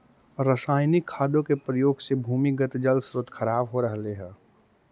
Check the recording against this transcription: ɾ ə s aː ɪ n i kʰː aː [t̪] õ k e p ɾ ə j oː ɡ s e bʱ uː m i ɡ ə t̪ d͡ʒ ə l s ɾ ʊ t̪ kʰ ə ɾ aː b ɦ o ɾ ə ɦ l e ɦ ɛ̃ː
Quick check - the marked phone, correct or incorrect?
incorrect